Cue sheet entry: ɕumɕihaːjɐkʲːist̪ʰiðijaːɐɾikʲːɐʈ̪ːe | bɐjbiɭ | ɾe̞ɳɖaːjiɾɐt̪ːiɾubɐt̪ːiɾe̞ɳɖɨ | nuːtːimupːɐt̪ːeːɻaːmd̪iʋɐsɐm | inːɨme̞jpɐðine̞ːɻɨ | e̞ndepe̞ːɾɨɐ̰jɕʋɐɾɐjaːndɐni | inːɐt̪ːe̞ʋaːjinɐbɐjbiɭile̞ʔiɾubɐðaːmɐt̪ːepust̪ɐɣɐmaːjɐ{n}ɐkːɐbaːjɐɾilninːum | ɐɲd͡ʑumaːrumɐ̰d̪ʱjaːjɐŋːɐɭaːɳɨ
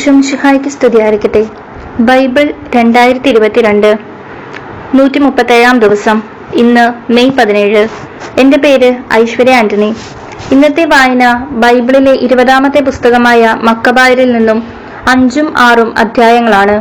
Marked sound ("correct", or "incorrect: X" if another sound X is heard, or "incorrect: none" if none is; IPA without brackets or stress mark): incorrect: m